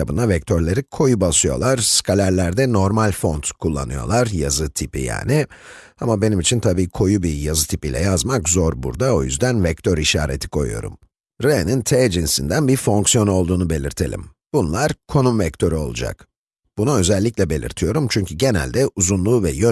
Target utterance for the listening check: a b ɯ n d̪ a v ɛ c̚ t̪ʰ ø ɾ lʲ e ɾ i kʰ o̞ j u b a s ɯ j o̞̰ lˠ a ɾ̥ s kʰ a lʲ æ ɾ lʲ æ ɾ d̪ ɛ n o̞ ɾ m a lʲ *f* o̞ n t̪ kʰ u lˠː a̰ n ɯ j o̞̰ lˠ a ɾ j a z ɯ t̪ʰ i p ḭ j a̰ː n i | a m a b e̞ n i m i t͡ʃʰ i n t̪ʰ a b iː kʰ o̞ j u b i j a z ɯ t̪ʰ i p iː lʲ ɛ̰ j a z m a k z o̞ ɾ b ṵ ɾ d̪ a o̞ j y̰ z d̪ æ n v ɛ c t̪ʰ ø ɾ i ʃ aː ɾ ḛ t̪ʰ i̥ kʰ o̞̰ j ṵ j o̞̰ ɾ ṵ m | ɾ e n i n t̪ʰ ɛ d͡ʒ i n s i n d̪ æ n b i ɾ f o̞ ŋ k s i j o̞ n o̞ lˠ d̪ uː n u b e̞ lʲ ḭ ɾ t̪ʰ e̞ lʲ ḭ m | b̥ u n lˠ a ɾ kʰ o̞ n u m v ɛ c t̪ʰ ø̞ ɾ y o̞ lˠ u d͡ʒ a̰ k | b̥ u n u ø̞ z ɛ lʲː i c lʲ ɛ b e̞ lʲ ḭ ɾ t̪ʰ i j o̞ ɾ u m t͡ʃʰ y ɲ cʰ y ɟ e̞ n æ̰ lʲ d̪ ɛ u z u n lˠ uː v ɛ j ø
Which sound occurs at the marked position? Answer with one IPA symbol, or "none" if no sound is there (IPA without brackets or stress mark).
f